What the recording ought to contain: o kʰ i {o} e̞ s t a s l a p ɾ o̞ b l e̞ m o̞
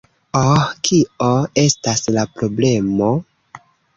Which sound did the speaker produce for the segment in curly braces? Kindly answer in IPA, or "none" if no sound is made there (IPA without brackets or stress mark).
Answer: o